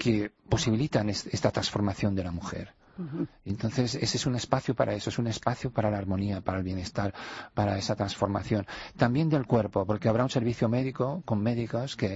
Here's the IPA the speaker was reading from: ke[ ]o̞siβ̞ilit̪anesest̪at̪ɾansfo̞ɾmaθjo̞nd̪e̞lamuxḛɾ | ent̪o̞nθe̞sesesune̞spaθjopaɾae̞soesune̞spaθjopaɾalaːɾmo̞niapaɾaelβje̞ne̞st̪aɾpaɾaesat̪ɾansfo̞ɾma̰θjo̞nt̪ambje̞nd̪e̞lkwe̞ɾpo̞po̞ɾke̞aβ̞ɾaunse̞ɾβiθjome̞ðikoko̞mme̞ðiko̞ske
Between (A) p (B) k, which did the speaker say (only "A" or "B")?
A